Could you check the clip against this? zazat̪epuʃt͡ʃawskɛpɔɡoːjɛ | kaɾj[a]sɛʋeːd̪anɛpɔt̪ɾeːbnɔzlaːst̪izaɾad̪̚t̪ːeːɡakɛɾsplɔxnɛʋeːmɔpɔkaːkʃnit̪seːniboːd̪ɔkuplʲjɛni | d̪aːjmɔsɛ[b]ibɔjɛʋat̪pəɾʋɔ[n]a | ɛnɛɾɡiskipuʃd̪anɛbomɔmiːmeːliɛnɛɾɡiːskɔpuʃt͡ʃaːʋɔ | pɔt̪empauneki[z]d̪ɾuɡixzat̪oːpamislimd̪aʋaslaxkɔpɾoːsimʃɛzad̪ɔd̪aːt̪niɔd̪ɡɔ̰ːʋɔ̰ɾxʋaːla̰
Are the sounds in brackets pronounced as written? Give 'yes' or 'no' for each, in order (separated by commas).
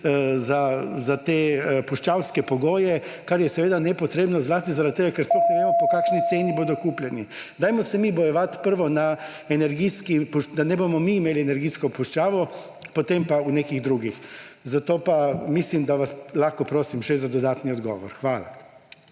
no, no, yes, no